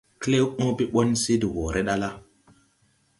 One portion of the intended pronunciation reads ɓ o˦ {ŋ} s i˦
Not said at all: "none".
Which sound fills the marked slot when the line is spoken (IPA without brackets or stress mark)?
n